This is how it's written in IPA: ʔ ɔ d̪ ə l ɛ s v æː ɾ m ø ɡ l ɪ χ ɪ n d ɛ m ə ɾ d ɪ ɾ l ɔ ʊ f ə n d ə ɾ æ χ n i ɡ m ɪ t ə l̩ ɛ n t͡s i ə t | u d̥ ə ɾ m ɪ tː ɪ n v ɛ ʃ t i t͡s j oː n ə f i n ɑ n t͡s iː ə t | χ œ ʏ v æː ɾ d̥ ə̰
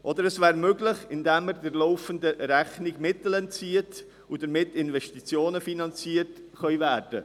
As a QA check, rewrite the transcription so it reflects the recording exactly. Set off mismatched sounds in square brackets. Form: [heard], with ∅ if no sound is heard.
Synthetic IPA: ʔ ɔ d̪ ə [ɾ] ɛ s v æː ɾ m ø ɡ l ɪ χ ɪ n d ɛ m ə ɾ d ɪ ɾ l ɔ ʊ f ə n d ə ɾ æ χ n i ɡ m ɪ t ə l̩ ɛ n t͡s i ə t | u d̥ ə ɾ m ɪ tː ɪ n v ɛ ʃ t i t͡s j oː n ə f i n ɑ n t͡s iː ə t | χ œ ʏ v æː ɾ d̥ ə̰